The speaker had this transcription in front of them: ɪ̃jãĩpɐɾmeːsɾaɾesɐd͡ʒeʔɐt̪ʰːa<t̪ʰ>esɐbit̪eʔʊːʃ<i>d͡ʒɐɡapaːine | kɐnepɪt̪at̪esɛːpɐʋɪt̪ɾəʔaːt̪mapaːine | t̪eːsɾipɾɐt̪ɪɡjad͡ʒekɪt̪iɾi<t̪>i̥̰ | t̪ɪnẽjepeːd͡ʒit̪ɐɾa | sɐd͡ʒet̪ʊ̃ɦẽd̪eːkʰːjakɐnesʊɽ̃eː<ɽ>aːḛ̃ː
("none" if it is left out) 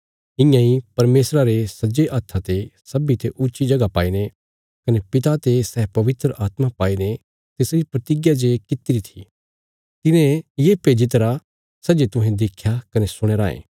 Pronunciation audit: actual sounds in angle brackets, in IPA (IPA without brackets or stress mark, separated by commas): t̪, i, t̪ʰ, ɾ